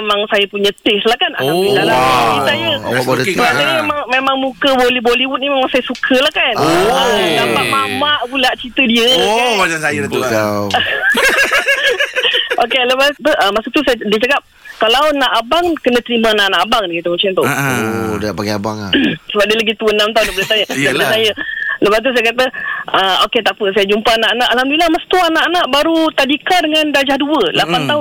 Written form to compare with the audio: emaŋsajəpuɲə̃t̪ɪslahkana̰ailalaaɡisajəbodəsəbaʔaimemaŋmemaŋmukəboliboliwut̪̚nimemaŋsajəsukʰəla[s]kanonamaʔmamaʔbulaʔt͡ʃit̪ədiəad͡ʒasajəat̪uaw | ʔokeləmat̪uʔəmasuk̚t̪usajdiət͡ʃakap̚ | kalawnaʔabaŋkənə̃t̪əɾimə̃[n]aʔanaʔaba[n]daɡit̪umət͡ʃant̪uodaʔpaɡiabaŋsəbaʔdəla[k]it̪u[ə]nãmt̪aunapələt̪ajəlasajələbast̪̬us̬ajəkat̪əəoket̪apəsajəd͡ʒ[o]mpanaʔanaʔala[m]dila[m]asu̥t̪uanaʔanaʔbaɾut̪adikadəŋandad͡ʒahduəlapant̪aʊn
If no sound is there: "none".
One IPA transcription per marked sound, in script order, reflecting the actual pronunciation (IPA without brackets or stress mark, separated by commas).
h, n, ŋ, ɡ, ə, u, m, m